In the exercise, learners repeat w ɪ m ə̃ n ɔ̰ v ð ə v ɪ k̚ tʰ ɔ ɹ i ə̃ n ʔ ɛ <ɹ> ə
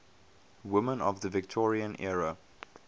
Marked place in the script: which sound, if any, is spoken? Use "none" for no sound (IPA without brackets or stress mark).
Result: ɹ